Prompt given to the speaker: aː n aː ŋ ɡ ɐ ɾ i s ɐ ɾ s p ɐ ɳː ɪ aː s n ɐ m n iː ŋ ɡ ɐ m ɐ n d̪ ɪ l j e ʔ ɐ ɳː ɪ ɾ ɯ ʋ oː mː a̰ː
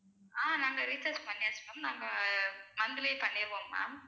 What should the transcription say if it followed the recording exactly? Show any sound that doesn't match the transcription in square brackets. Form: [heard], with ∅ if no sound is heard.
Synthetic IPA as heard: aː n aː ŋ ɡ ɐ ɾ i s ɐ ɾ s p ɐ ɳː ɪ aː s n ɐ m n [aː] ŋ ɡ ɐ m ɐ n d̪ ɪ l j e [p] ɐ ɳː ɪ ɾ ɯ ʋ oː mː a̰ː